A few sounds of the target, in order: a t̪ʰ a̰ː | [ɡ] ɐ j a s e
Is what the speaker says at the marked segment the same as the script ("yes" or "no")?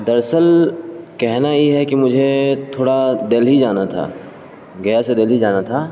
yes